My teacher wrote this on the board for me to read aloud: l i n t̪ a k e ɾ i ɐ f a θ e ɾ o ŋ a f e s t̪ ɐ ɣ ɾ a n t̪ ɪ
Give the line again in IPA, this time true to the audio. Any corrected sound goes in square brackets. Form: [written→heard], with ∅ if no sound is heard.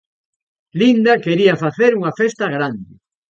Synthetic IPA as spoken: l i n [t̪→d̪] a k e ɾ i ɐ f a θ e ɾ [o→u] ŋ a f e s t̪ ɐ ɣ ɾ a n [t̪→d̪] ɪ